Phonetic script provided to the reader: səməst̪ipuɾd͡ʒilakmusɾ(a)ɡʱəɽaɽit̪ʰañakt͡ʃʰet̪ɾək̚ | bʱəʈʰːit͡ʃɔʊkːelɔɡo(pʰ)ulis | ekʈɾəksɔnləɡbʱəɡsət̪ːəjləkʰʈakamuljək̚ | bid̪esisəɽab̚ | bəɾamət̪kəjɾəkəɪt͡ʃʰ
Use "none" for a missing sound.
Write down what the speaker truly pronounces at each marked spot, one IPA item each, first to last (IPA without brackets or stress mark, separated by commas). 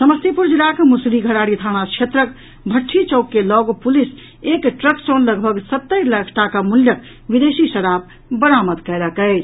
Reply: i, p